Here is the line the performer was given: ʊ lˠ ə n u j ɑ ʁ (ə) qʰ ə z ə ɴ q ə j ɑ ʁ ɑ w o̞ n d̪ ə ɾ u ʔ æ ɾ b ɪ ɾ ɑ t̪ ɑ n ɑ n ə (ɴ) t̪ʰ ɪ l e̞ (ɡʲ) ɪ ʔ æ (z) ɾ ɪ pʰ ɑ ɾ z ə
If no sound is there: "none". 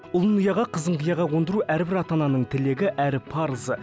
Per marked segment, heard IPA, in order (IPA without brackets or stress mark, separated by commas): ɑ, ɴ, ɡʲ, none